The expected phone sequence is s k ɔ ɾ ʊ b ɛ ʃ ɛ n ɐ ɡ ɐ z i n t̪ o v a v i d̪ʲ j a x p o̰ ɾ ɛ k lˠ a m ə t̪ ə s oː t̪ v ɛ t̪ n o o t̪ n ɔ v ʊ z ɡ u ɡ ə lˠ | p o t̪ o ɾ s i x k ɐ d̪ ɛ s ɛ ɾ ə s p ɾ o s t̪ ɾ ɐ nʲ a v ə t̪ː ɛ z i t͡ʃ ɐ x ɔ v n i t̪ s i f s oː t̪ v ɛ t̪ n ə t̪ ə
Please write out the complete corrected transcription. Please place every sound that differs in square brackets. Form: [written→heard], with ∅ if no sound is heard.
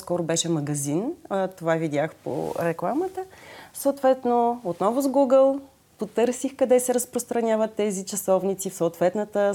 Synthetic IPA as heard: s k ɔ ɾ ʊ b ɛ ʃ ɛ [n→m] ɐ ɡ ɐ z i n t̪ o v a v i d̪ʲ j a x p o̰ ɾ ɛ k lˠ a m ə t̪ ə s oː t̪ v ɛ t̪ n o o t̪ n ɔ v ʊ z ɡ u ɡ ə lˠ | p o t̪ [o→ɤ] ɾ s i x k ɐ d̪ ɛ s ɛ ɾ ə s p ɾ o s t̪ ɾ ɐ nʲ a v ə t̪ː ɛ z i t͡ʃ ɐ [x→s] ɔ v n i t̪ s i f s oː t̪ v ɛ t̪ n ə t̪ ə